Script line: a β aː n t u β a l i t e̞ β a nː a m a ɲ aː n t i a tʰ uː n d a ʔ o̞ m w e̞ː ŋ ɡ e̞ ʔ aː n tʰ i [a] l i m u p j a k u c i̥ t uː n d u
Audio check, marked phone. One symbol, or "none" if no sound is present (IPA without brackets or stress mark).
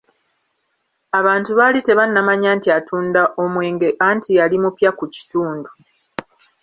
a